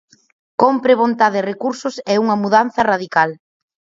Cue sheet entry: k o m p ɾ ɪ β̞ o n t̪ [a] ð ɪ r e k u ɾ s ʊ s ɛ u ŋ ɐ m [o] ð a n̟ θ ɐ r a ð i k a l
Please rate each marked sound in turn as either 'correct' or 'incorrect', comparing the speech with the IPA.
correct, incorrect

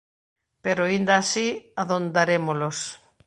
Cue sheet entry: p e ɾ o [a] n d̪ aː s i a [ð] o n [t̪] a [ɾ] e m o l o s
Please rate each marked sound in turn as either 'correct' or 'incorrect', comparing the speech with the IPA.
incorrect, correct, incorrect, correct

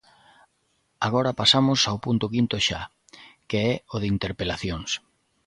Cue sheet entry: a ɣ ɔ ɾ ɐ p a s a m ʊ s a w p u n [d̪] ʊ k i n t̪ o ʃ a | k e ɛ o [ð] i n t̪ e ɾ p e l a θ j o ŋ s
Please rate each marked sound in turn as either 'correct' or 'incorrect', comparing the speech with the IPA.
incorrect, correct

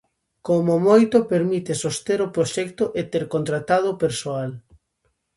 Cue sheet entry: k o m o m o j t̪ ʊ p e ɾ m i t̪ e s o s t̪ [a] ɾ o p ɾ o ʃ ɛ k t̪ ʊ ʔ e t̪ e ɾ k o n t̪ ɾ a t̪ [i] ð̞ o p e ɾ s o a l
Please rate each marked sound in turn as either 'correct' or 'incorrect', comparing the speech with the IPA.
incorrect, incorrect

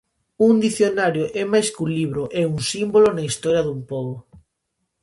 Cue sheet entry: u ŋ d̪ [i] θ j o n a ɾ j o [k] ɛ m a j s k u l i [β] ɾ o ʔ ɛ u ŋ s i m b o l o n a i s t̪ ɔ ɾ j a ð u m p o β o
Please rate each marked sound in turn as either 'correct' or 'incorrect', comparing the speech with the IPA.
correct, incorrect, correct

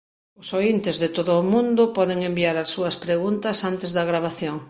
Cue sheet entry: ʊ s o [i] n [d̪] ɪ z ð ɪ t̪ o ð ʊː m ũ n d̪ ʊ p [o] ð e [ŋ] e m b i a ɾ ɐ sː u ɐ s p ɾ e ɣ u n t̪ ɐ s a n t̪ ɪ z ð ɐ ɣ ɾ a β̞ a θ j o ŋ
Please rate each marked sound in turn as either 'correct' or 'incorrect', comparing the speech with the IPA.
correct, incorrect, incorrect, correct

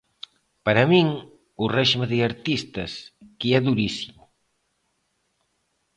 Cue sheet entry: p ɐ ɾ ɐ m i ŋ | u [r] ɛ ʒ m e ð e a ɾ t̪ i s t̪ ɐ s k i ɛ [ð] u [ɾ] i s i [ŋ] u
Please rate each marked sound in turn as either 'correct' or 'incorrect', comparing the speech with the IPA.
correct, correct, correct, incorrect

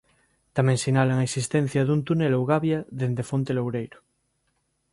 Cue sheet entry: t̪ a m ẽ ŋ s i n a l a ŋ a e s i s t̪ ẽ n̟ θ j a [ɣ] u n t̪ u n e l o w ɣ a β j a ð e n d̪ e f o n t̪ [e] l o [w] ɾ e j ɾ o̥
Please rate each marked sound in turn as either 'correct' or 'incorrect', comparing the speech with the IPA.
incorrect, correct, correct

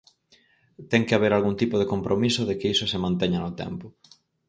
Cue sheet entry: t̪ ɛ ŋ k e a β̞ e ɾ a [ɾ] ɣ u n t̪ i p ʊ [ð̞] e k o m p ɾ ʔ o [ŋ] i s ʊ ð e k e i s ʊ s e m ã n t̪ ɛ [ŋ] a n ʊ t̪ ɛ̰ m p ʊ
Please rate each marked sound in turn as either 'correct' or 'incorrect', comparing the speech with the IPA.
incorrect, correct, incorrect, incorrect

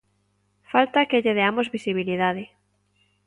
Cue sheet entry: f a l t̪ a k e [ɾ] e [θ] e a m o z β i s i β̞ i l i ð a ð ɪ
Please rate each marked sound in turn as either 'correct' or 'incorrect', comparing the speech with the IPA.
incorrect, incorrect

